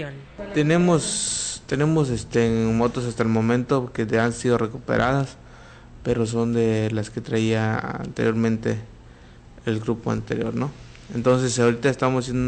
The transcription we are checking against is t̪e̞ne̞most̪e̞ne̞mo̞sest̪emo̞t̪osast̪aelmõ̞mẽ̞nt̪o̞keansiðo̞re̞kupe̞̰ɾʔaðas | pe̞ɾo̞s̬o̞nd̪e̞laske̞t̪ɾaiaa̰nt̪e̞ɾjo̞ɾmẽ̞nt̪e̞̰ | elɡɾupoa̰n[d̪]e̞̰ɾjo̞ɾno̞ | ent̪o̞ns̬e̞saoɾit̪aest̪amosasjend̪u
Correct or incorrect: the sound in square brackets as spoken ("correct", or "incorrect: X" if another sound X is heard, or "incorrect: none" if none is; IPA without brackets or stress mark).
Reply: incorrect: t̪